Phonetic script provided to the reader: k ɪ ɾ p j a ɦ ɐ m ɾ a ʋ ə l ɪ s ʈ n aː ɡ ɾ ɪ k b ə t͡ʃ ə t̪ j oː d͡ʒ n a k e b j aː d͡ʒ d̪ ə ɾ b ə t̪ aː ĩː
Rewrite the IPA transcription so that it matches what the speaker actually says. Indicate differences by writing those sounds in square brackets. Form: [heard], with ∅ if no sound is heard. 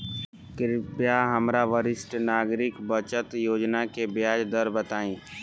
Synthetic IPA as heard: k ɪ ɾ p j a ɦ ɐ m ɾ a ʋ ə [ɾ] ɪ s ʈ n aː ɡ ɾ ɪ k b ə t͡ʃ ə t̪ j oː d͡ʒ n a k e b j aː d͡ʒ d̪ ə ɾ b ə t̪ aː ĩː